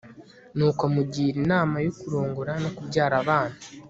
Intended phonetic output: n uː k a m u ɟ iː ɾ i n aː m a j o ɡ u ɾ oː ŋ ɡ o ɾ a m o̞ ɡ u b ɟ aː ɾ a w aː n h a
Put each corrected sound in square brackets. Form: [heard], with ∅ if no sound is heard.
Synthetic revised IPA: n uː k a m u ɟ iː ɾ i n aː m a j o [k] u ɾ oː ŋ ɡ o ɾ a [n] o̞ [k] u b ɟ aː ɾ a [β] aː n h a